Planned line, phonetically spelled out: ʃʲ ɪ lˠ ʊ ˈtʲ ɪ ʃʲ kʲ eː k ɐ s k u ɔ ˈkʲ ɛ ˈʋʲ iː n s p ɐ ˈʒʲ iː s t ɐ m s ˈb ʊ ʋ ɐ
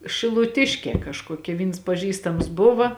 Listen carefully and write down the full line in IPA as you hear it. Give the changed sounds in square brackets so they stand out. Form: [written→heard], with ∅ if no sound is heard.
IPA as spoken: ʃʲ ɪ lˠ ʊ ˈtʲ ɪ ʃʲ kʲ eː k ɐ [s→ʃ] k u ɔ ˈkʲ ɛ ˈʋʲ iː n s p ɐ ˈʒʲ iː s t ɐ m s ˈb ʊ ʋ ɐ